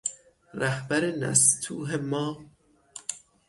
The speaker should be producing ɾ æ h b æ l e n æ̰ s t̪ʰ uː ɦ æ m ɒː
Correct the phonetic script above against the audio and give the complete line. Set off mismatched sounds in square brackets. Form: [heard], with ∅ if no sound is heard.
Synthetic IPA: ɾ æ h b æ [ɾ] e n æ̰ s t̪ʰ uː ɦ [e] m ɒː